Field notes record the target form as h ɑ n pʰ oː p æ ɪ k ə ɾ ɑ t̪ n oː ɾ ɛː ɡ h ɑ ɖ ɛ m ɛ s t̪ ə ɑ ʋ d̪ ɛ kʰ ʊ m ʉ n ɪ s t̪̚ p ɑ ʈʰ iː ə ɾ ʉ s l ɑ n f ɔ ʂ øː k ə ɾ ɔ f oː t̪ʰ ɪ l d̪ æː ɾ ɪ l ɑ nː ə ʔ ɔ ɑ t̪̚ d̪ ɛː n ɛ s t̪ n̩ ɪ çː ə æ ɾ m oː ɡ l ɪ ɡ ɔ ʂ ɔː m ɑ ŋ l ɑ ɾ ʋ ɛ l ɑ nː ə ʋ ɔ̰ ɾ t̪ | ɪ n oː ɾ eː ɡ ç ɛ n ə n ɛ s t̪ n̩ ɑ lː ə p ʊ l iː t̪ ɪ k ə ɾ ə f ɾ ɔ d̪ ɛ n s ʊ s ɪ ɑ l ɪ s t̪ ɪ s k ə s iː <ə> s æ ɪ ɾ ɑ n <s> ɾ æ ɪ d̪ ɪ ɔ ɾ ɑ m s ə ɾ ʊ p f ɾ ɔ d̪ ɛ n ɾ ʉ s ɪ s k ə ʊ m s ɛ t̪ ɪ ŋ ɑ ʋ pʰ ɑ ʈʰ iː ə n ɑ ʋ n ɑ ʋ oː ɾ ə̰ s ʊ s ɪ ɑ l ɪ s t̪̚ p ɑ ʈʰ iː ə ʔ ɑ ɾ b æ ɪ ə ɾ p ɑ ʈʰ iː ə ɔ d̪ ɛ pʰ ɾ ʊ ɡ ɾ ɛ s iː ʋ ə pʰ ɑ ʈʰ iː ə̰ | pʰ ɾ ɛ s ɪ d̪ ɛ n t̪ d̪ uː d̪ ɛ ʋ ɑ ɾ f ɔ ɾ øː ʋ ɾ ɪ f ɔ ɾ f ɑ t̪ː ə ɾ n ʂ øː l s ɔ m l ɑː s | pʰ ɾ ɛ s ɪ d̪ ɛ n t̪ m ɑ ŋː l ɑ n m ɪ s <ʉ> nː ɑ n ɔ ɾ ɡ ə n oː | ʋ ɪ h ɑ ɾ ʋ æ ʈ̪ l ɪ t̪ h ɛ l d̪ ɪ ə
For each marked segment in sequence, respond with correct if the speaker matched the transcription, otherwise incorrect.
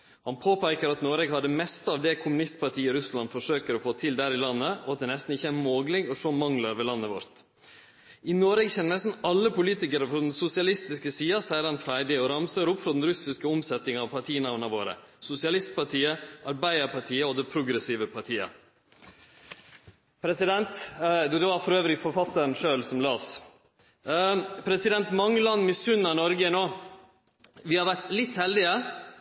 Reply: incorrect, incorrect, correct

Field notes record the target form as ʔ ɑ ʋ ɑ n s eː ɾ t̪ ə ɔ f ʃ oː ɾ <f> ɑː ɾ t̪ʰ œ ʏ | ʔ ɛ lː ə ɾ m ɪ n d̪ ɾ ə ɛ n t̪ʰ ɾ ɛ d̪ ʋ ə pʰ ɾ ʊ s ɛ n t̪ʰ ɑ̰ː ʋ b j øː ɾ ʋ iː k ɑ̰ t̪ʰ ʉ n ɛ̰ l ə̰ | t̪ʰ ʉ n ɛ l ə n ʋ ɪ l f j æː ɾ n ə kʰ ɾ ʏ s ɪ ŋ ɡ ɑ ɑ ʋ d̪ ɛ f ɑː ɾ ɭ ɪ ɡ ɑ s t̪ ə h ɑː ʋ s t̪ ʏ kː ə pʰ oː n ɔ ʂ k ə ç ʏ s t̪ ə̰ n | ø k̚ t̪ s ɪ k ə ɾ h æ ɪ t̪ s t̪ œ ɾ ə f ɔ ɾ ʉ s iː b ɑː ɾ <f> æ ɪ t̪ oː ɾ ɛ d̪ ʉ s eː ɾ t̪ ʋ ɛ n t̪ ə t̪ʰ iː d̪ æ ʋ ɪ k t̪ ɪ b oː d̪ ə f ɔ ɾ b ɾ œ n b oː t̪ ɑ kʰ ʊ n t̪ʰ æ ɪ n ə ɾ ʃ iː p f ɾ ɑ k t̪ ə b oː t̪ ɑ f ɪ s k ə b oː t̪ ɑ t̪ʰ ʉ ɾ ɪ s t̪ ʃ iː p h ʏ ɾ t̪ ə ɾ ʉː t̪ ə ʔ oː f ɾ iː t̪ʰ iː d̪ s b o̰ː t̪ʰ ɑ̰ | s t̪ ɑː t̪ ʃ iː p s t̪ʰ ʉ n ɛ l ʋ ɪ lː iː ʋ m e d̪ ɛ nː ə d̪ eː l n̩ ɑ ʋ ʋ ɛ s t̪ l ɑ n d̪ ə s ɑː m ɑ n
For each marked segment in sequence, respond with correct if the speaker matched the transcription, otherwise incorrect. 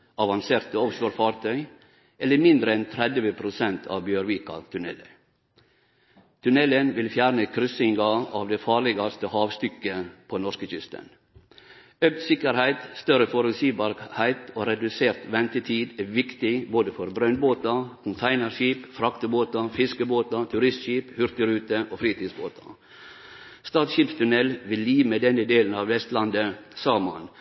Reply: correct, incorrect

